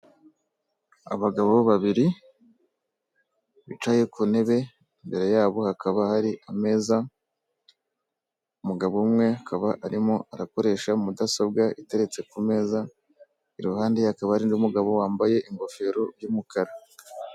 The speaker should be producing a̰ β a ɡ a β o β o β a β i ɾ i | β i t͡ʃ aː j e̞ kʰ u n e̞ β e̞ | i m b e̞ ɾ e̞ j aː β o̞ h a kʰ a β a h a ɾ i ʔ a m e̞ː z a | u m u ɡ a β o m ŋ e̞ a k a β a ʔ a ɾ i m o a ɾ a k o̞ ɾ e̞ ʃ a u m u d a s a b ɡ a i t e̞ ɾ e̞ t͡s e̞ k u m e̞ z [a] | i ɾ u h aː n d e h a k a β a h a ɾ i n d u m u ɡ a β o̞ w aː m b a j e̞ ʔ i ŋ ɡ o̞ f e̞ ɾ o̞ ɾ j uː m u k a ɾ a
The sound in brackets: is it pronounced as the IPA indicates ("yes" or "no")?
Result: yes